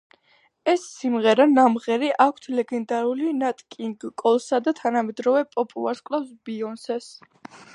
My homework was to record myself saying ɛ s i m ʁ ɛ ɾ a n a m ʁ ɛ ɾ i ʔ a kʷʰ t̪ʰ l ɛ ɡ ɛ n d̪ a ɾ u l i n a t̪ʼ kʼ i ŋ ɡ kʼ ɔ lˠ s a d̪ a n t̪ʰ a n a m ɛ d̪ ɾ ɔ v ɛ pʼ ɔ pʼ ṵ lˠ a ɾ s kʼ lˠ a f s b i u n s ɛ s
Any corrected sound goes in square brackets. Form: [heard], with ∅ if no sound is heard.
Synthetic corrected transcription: ɛ [sː] i m ʁ ɛ ɾ a n a m ʁ ɛ ɾ i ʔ a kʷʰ t̪ʰ l ɛ ɡ ɛ n d̪ a ɾ u l i n a t̪ʼ kʼ i ŋ ɡ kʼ ɔ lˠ s a d̪ a [∅] t̪ʰ a n a m ɛ d̪ ɾ ɔ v ɛ pʼ ɔ pʼ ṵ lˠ a ɾ s kʼ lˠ a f s b i [ɔ] n s ɛ s